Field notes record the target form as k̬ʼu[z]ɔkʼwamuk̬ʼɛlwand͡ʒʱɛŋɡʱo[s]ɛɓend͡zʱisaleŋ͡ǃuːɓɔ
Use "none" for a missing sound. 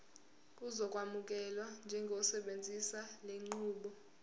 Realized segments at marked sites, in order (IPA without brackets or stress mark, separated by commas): z, s